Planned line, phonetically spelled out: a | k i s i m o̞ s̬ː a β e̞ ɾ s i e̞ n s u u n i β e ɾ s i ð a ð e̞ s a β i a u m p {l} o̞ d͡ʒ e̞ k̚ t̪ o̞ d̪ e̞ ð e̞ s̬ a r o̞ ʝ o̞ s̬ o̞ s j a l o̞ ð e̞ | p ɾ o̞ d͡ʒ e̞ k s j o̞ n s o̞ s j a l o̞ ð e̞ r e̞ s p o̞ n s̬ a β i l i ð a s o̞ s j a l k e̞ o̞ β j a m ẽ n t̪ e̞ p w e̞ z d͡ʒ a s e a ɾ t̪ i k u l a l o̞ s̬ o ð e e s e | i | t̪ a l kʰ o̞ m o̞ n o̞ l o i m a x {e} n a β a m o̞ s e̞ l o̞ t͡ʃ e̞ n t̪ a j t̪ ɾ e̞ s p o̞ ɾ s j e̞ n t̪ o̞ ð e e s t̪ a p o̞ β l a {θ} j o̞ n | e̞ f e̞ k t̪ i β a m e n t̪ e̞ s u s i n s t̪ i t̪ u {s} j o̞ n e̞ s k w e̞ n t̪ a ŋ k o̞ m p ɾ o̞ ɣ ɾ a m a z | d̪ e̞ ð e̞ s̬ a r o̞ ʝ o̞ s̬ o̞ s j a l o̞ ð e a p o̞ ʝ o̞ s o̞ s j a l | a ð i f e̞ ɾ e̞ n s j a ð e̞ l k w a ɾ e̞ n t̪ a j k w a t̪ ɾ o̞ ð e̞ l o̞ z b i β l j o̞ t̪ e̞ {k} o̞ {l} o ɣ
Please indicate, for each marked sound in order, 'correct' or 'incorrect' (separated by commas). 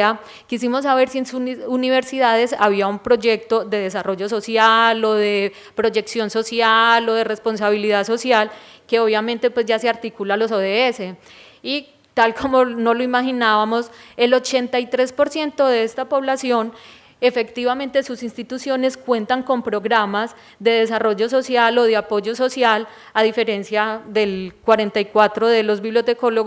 incorrect, incorrect, incorrect, correct, correct, correct